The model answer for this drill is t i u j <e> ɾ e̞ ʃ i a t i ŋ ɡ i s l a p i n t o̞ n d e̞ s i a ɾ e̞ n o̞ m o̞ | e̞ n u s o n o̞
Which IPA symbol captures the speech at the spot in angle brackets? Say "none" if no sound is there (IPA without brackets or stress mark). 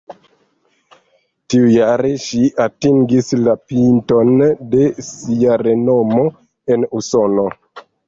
a